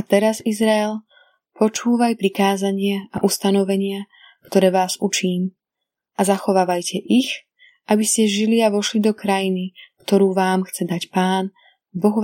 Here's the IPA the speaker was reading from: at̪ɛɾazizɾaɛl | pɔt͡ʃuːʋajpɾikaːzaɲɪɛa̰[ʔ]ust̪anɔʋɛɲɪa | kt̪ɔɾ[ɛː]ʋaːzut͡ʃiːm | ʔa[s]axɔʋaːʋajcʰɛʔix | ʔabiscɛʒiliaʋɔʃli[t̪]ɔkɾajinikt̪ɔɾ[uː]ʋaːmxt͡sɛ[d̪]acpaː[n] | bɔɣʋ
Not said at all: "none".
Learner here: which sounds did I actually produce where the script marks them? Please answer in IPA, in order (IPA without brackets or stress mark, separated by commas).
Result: ʔ, ɛː, z, d̪, uː, d̪, n